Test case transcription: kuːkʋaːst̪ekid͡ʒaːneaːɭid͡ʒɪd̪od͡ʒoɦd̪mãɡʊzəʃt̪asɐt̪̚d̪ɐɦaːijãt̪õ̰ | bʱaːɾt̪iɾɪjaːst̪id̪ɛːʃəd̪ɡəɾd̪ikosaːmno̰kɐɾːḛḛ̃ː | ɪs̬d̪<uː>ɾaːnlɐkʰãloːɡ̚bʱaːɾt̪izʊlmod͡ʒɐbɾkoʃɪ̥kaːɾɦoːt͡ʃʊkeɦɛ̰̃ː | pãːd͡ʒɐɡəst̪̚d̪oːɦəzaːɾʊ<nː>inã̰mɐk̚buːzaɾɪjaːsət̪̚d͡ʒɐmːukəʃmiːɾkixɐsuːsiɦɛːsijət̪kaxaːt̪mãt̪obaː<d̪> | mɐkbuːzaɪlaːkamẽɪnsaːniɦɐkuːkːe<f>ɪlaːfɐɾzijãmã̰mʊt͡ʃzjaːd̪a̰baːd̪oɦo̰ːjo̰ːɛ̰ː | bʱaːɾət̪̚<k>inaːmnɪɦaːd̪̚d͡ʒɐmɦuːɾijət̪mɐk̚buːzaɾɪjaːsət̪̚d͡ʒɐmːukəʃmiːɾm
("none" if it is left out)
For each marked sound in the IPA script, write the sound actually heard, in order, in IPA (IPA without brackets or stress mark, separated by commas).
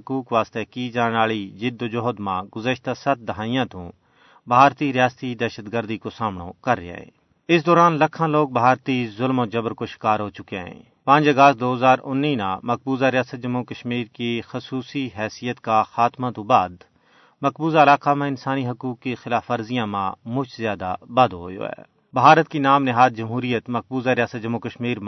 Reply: ɔː, nː, d̪, x, k